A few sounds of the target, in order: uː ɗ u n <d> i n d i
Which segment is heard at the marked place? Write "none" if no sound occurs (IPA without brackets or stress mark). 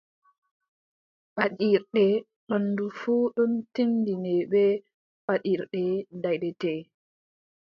t